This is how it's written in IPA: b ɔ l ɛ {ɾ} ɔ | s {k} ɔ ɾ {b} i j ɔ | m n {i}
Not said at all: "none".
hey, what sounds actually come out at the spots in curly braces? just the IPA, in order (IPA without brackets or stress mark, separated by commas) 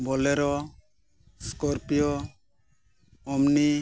ɾ, k, p, i